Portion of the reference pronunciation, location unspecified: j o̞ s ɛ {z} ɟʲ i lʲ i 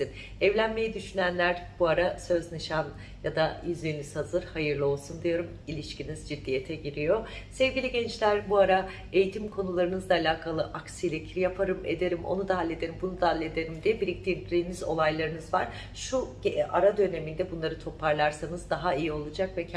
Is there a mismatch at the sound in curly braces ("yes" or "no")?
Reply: yes